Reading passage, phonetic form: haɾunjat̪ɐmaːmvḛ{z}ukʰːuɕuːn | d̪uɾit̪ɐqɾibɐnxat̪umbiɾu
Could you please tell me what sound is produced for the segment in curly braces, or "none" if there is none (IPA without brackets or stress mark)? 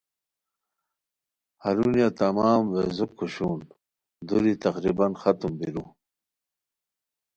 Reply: z